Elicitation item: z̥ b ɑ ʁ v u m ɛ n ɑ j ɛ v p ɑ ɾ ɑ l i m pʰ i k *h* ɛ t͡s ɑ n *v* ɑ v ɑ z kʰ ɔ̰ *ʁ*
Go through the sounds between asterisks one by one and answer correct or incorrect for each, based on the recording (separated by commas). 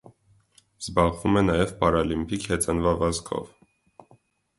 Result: correct, correct, incorrect